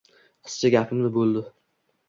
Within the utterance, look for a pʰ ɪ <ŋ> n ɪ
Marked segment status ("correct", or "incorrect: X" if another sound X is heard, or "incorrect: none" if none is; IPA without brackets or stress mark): incorrect: m